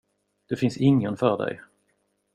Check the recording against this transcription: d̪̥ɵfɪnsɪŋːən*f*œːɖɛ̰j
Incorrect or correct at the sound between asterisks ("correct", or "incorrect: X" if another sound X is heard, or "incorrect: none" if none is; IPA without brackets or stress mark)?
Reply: correct